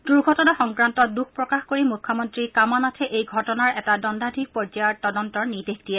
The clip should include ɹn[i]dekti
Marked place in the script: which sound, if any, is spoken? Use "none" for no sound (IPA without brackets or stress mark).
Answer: i